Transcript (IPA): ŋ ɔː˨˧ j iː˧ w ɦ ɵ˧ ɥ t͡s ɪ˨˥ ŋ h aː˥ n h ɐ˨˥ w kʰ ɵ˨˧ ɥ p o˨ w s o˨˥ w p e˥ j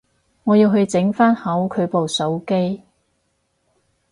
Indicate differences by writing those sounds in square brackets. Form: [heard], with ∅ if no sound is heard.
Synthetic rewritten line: ŋ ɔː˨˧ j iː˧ w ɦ ɵ˧ ɥ t͡s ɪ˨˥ ŋ [f] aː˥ n h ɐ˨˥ w kʰ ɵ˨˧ ɥ p o˨ w s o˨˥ w [k] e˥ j